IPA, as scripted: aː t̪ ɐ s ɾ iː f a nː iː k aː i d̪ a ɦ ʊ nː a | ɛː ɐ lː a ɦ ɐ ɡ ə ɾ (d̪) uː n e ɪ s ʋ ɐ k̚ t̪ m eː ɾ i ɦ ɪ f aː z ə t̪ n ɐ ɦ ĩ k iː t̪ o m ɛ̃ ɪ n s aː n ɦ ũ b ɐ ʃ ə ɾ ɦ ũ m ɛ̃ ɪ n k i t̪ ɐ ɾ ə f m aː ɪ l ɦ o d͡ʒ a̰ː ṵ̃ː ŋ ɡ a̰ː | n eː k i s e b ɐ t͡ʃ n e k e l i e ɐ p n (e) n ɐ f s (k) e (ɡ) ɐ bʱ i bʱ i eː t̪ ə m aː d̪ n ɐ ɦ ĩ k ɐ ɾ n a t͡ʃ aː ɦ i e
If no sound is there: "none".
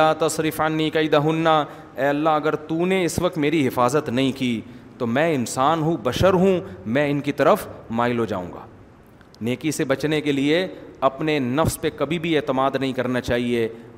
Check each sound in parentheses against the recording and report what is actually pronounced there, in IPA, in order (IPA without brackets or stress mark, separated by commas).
t̪, e, p, k